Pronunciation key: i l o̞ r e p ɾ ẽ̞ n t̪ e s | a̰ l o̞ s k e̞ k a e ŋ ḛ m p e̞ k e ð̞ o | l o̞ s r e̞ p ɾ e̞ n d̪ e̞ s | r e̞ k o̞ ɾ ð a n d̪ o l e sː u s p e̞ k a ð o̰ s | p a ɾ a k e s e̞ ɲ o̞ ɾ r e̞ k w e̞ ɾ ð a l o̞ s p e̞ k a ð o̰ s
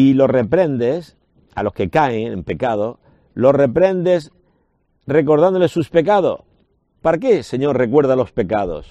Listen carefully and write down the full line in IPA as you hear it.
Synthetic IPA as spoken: i l o̞ r e p ɾ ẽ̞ n d̪ e s | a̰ l o̞ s k e̞ k a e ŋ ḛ m p e̞ k a ð̞ o | l o̞ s r e̞ p ɾ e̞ n d̪ e̞ s | r e̞ k o̞ ɾ ð a n d̪ o l e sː u s p e̞ k a ð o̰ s | p a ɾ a k e s e̞ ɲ o̞ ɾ r e̞ k w e̞ ɾ ð a l o̞ s p e̞ k a ð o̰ s